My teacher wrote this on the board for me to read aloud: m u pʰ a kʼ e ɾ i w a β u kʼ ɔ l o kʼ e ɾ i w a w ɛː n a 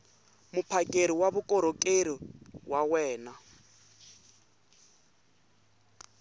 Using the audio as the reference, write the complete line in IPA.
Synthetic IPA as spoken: m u pʰ a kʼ e ɾ i w a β u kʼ ɔ ɾ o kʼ e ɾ i w a w ɛː n a